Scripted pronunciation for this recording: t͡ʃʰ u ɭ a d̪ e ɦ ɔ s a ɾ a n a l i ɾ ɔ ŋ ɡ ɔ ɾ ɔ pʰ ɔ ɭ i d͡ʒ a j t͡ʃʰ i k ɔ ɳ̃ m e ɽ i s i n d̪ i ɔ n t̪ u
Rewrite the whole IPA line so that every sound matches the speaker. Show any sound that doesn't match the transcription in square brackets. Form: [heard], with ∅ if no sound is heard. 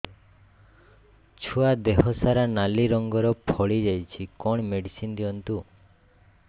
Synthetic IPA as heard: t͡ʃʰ u [∅] a d̪ e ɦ ɔ s a ɾ a n a l i ɾ ɔ ŋ ɡ ɔ ɾ ɔ pʰ ɔ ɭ i d͡ʒ a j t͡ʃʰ i k ɔ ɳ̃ m e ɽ i s i n d̪ i ɔ n t̪ u